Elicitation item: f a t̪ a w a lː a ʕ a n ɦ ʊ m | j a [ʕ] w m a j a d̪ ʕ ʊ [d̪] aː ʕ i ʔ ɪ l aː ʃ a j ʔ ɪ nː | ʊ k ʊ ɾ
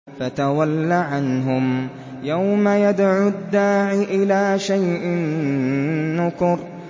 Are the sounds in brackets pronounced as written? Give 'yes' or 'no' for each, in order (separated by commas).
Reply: no, no